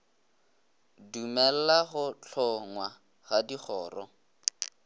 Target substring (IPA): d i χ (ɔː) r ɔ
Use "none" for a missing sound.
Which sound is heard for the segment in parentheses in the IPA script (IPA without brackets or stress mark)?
ɔː